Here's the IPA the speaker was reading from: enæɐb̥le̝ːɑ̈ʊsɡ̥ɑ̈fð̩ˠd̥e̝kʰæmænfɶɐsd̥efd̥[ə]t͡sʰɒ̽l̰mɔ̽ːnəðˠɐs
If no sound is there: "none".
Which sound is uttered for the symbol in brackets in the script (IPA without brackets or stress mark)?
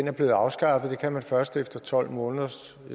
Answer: ɐ